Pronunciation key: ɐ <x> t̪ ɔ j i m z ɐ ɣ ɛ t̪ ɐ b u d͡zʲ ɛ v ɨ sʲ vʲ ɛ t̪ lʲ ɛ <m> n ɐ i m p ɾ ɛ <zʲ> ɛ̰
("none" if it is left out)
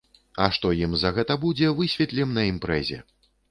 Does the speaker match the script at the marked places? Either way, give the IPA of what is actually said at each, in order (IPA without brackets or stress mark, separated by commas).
ʂ, m, zʲ